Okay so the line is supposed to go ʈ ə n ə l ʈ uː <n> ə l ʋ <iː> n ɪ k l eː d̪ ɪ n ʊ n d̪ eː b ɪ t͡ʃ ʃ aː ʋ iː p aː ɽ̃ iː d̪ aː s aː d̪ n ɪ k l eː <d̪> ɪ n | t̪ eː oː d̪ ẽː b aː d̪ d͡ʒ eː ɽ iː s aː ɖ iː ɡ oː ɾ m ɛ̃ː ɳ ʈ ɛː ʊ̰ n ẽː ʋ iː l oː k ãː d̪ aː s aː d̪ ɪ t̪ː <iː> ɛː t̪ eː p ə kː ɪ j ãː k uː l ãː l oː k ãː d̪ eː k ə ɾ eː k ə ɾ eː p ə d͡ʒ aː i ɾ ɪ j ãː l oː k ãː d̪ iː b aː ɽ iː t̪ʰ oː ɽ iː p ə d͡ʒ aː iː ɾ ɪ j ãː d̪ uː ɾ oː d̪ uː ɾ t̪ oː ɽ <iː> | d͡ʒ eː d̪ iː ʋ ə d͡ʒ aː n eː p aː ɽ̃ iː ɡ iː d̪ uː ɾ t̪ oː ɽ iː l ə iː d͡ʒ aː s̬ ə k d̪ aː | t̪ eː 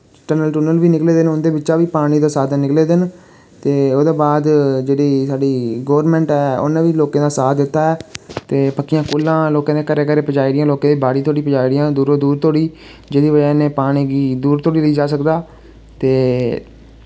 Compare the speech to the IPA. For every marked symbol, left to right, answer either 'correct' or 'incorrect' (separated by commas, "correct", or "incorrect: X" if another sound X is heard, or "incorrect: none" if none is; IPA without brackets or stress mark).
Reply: correct, correct, correct, incorrect: aː, correct